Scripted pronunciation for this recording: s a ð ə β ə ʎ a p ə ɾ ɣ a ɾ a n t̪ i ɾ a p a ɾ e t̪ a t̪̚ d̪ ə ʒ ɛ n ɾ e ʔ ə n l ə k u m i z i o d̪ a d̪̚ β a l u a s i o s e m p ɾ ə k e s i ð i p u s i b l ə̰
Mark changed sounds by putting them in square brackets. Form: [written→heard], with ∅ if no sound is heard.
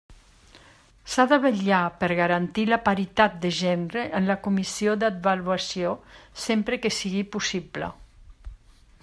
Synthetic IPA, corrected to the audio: s a ð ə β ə ʎ a p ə ɾ ɣ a ɾ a n t̪ i [ɾ→l] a p a ɾ [e→i] t̪ a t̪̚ d̪ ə ʒ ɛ n ɾ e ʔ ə n l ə k u m i [z→s] i o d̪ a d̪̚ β a l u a s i o s e m p ɾ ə k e s i [ð→ɣ] i p u s i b l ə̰